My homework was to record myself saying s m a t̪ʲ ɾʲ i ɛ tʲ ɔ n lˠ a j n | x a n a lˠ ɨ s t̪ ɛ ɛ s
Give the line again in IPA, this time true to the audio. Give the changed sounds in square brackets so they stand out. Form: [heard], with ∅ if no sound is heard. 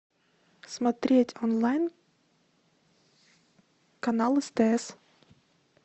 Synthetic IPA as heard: s m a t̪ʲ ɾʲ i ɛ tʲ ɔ n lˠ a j n | [k] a n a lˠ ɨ s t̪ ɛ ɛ s